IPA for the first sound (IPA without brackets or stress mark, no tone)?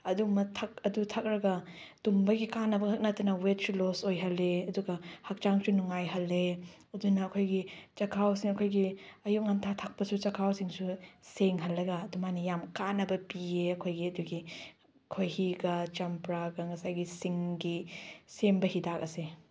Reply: ɐ